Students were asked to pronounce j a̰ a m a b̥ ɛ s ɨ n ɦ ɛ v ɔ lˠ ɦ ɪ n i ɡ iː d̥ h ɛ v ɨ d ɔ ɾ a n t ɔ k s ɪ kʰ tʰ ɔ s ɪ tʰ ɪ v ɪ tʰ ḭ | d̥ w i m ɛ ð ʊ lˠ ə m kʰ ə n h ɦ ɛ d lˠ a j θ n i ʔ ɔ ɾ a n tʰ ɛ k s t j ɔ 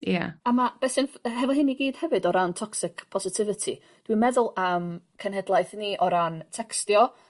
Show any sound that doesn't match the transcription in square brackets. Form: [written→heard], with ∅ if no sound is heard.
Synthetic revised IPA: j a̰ a m a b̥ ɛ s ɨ n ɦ ɛ v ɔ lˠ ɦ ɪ n i ɡ iː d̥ h ɛ v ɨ d ɔ ɾ a n [t→tʰ] ɔ k s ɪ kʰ [tʰ→pʰ] ɔ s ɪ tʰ ɪ v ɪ tʰ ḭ | d̥ w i m ɛ ð ʊ lˠ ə m kʰ ə n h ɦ ɛ d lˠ a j θ n i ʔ ɔ ɾ a n tʰ ɛ k s t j ɔ